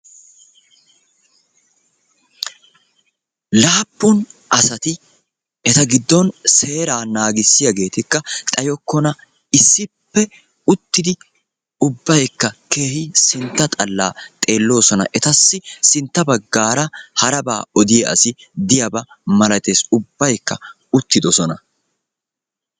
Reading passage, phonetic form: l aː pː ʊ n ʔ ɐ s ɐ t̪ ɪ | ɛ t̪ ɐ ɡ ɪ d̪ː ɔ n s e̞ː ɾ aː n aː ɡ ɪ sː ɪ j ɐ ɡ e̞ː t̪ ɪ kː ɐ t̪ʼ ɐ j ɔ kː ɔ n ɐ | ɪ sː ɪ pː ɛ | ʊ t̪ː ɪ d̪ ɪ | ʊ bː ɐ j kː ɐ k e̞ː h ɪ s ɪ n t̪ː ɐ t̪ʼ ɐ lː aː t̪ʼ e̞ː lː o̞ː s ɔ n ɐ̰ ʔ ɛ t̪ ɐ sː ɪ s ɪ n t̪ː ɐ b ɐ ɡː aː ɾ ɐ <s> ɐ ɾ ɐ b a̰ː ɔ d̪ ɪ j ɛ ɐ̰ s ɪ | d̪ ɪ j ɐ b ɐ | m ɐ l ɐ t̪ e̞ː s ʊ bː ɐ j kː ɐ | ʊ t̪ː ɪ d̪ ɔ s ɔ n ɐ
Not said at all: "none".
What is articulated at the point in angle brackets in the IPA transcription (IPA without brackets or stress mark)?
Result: h